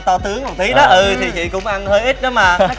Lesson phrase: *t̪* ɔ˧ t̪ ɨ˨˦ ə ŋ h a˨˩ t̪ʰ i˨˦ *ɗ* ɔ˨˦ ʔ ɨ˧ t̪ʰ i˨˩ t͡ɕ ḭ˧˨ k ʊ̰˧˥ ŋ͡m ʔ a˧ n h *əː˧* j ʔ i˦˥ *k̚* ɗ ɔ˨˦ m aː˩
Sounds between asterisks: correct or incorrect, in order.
correct, correct, correct, incorrect: t̚

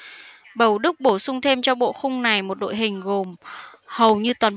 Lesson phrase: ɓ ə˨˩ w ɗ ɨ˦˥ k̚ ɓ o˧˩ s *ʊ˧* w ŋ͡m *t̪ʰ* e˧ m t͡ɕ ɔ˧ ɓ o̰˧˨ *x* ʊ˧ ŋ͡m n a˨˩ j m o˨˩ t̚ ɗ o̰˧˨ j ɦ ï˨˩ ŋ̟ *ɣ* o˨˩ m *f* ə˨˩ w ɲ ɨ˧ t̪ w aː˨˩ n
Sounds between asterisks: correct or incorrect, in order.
correct, correct, correct, correct, incorrect: h

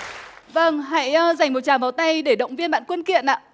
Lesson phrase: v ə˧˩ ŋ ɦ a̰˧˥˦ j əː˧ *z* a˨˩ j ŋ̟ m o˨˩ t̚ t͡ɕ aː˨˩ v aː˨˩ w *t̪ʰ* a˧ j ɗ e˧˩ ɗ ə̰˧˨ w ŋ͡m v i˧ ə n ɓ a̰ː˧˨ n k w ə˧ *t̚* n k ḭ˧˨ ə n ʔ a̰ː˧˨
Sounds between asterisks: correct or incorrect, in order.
correct, incorrect: t̪, incorrect: none

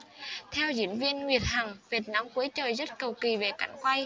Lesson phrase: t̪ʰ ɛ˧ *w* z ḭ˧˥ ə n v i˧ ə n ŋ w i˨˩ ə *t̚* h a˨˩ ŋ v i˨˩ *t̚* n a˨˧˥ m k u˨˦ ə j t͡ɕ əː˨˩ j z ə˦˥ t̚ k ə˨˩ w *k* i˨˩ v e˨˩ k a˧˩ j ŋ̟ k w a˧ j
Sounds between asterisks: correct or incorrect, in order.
correct, correct, correct, correct

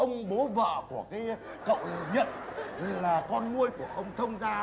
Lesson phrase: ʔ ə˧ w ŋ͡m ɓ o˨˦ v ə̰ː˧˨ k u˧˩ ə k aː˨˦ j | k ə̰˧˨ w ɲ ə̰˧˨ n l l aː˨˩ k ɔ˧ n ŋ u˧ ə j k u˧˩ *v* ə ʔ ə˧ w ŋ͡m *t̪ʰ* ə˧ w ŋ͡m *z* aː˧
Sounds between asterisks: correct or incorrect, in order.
incorrect: none, correct, correct

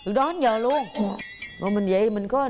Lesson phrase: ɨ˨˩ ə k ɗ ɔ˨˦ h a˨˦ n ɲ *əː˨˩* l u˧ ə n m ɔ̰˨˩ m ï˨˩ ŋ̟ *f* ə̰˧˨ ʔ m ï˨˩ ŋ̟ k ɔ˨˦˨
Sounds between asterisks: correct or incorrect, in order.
correct, incorrect: v

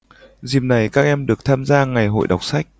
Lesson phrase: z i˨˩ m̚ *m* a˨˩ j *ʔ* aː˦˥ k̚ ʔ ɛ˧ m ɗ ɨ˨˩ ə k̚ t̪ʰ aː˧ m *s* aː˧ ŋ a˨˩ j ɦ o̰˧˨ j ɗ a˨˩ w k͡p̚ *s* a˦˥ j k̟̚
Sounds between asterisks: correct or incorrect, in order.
incorrect: n, incorrect: k, incorrect: z, correct

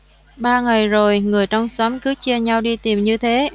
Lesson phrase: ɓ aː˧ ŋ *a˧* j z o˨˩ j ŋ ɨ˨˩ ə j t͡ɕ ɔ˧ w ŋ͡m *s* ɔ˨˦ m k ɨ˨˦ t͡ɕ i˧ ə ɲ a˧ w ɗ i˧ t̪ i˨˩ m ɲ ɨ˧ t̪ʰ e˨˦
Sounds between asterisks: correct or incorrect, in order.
incorrect: a˨˩, correct

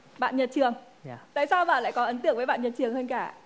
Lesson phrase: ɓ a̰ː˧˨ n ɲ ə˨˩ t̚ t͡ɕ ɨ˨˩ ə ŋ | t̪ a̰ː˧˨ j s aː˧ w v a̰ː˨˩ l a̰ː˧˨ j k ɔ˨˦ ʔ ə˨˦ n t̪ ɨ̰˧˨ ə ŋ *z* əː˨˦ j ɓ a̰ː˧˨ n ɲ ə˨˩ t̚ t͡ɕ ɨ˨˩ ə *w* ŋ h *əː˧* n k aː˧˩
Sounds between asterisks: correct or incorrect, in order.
incorrect: v, incorrect: none, correct

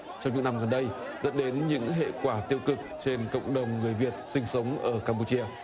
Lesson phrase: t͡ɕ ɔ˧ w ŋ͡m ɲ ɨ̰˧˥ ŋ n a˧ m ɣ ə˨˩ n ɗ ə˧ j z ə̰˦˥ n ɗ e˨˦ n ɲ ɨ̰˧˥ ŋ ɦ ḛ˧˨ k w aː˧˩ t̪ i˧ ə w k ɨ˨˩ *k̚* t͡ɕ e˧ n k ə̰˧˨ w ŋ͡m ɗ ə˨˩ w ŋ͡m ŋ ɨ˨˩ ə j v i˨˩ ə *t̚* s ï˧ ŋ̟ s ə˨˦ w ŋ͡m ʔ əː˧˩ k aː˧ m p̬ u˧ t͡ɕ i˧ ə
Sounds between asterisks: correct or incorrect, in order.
correct, correct

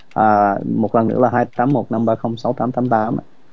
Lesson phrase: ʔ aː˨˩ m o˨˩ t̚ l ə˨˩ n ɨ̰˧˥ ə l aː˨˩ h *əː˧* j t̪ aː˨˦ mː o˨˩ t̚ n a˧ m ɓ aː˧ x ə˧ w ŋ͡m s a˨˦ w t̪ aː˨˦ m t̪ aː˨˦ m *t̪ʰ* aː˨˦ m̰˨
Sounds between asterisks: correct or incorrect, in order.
incorrect: aː˧, incorrect: t̪

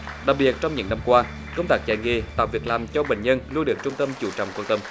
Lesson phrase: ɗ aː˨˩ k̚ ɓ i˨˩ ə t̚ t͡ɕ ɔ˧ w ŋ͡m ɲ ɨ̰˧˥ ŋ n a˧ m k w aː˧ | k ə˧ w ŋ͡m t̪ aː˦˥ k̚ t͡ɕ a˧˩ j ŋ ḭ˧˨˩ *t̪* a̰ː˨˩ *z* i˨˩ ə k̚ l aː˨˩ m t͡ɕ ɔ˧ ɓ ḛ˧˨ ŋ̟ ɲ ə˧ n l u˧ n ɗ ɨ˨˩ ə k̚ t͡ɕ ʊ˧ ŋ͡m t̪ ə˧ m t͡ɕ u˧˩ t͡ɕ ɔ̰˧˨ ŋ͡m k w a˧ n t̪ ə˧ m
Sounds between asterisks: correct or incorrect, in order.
correct, incorrect: v

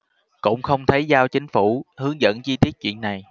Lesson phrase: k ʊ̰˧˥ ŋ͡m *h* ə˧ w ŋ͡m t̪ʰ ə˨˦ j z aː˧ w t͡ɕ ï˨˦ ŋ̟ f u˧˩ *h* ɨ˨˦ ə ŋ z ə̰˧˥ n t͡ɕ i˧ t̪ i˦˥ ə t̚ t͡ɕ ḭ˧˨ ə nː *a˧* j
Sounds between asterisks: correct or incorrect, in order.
incorrect: x, correct, incorrect: a˨˩

